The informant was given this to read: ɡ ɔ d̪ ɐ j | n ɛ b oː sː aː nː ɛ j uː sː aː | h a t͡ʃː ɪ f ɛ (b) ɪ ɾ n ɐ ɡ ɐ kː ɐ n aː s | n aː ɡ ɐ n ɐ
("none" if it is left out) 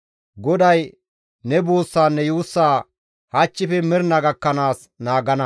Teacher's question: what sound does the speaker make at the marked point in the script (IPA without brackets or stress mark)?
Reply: m